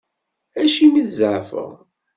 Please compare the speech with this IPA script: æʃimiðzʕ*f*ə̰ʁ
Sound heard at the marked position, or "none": f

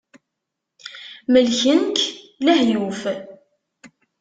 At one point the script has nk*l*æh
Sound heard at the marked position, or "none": l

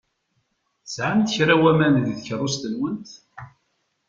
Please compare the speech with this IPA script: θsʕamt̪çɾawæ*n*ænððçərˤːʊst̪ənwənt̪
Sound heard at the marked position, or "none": m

